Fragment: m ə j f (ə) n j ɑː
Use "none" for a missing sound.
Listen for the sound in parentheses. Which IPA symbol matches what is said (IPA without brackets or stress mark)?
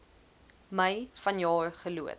ɐ